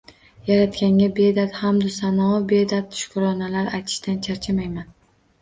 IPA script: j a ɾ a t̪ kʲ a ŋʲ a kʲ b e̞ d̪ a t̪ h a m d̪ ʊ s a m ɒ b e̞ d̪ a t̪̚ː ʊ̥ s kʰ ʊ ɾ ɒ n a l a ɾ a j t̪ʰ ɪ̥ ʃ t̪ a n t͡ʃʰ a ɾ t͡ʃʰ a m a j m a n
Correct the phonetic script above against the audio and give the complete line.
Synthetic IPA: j a ɾ a t̪ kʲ a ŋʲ a b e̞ d̪ a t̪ h a m d̪ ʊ s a n ɒ b e̞ d̪ a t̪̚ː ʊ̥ ʃ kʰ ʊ ɾ ɒ n a l a ɾ a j t̪ʰ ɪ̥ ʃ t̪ a n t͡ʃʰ a ɾ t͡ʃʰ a m a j m a n